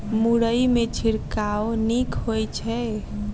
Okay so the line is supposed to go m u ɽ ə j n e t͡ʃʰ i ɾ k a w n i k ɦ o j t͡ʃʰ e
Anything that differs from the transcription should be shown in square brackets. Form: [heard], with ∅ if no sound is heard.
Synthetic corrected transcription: m u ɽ ə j [m] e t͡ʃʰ i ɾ k a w n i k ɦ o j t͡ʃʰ [ɛ]